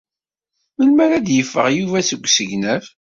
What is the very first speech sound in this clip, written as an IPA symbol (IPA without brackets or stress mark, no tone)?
m